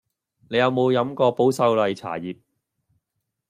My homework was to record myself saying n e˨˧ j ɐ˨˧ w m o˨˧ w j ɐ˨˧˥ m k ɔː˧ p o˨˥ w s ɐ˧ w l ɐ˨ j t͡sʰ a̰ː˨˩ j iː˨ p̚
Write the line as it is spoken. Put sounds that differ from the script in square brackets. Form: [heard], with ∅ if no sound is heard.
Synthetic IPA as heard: n e˨˧ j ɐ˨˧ w m o˨˧ w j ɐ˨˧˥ m k ɔː˧ p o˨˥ w s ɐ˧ w l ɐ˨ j t͡sʰ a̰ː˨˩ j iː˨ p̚